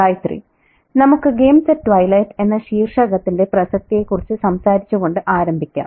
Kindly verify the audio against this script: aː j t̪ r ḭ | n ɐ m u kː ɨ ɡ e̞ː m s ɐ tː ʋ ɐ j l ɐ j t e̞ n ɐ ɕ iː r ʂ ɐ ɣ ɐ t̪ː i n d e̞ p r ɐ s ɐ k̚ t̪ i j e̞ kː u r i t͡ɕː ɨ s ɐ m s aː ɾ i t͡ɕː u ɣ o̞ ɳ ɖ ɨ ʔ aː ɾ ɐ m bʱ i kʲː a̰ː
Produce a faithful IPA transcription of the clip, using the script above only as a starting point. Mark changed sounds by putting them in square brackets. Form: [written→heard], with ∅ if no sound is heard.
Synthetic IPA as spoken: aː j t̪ r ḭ | n ɐ m u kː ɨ ɡ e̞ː m s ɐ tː ʋ ɐ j l ɐ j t e̞ [n→nː] ɐ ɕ iː r ʂ ɐ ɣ ɐ t̪ː i n d e̞ p r ɐ s ɐ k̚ t̪ i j e̞ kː u r i t͡ɕː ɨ s ɐ m s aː ɾ i t͡ɕː u ɣ o̞ ɳ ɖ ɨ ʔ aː ɾ ɐ m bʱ i kʲː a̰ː